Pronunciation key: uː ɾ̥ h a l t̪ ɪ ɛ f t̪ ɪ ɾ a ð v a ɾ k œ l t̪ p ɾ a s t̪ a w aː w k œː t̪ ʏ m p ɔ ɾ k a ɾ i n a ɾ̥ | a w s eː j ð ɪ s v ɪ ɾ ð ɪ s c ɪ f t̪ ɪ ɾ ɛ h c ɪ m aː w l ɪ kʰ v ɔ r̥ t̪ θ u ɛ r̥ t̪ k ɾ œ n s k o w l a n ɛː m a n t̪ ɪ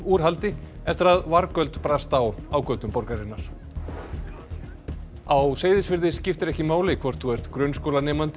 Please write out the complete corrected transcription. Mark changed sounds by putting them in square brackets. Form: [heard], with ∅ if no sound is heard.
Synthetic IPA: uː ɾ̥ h a l t̪ ɪ ɛ f t̪ ɪ ɾ a ð v a ɾ k œ l t̪ p ɾ a s t̪ a w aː w k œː t̪ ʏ m p ɔ ɾ k a ɾ [ɪ] n a ɾ̥ | a w s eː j ð ɪ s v ɪ ɾ ð ɪ s c ɪ f t̪ ɪ ɾ ɛ h c ɪ m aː w l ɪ kʰ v ɔ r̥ t̪ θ u ɛ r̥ t̪ k ɾ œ n s k o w l a n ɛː m a n t̪ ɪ